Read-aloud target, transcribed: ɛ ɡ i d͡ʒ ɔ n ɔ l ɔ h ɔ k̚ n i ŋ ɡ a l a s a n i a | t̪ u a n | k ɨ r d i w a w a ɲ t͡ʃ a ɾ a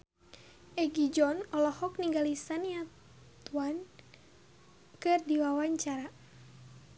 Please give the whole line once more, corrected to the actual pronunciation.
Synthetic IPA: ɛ ɡ i d͡ʒ ɔ n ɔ l ɔ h ɔ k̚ n i ŋ ɡ a l i s a n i a | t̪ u a n | k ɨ r d i w a w a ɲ t͡ʃ a ɾ a